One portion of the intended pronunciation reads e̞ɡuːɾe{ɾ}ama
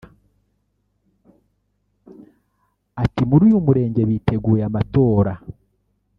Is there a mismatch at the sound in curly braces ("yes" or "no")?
yes